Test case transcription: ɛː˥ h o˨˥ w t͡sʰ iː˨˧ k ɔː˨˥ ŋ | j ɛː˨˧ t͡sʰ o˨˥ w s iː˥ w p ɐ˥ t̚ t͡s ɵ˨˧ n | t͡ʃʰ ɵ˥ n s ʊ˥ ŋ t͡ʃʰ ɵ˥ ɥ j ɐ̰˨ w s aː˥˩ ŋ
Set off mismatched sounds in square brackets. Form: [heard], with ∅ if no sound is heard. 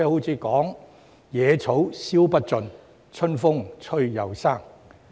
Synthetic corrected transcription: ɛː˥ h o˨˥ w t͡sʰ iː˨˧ k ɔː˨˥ ŋ | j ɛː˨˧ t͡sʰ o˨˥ w s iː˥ w p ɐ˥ t̚ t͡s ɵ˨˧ n | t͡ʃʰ ɵ˥ n [f] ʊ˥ ŋ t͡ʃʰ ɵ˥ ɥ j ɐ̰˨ w s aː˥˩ ŋ